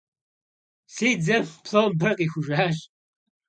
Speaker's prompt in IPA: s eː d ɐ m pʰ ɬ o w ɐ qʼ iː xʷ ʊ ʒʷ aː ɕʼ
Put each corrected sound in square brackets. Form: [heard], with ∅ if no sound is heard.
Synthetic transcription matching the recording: s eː [d͡z] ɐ m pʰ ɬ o [b] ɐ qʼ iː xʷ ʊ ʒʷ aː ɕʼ